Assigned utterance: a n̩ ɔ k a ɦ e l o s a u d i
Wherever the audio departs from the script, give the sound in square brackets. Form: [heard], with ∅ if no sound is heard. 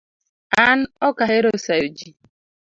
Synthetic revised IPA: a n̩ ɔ k a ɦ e [ɾ] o s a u [d͡ʒ] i